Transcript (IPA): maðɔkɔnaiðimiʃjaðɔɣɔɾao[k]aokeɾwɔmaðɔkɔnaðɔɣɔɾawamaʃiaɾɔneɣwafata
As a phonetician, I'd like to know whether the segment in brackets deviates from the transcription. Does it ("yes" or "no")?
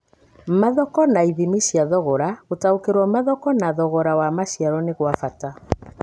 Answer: yes